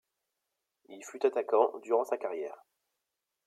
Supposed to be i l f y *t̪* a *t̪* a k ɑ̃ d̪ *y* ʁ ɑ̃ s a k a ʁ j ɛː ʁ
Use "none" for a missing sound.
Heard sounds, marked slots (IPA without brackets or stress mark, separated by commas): t̪, t̪, y